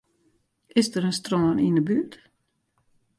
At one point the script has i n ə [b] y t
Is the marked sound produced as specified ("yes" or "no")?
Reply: yes